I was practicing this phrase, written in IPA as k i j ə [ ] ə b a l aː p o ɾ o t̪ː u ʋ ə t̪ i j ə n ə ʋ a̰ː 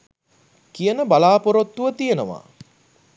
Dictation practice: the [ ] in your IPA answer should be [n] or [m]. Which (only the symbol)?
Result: n